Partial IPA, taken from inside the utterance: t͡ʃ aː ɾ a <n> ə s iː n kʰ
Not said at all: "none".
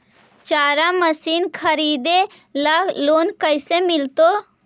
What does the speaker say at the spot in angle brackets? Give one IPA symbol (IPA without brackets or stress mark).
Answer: m